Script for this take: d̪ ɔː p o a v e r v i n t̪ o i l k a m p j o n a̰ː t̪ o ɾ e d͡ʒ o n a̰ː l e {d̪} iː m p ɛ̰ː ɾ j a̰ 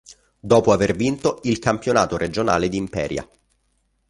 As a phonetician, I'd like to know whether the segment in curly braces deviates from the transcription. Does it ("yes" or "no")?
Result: no